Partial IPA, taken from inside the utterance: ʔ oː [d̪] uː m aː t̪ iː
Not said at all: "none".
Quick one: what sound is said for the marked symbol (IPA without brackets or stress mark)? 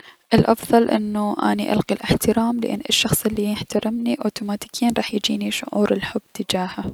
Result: t̪